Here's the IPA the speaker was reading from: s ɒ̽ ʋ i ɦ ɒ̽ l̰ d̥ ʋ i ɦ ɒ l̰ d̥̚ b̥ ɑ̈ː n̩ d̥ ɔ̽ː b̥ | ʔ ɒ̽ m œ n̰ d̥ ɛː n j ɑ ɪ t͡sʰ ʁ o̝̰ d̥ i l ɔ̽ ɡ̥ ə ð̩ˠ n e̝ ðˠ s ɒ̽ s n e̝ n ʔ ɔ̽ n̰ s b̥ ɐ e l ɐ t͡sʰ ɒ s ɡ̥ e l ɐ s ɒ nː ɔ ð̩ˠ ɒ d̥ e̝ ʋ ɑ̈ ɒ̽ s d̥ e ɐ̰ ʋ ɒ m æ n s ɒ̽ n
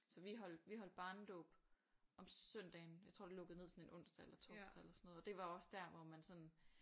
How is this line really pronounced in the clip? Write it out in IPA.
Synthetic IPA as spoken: s ɒ̽ ʋ i ɦ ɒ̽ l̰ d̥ ʋ i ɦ ɒ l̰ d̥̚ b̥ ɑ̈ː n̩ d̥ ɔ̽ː b̥ | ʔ ɒ̽ m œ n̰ d̥ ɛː n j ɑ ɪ t͡sʰ ʁ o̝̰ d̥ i l ɔ̽ ɡ̥ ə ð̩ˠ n e̝ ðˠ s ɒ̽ n e̝ n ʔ ɔ̽ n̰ s d̥ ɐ e l ɐ t͡sʰ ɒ s d̥ e l ɐ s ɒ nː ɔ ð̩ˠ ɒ d̥ e̝ ʋ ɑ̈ ɒ̽ s d̥ æ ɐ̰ ʋ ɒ m æ n s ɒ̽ n